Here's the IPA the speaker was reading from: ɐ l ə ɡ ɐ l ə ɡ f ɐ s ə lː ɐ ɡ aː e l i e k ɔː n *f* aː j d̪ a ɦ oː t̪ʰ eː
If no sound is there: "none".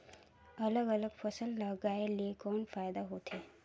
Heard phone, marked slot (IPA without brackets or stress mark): f